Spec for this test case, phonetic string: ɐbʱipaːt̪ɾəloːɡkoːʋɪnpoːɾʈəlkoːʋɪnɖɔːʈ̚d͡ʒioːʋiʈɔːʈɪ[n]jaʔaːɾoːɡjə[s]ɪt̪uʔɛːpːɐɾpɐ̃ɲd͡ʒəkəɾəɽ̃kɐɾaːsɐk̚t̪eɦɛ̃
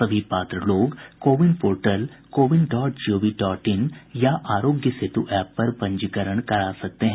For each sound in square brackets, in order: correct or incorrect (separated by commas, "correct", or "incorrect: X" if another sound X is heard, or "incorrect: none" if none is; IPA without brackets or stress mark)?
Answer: correct, correct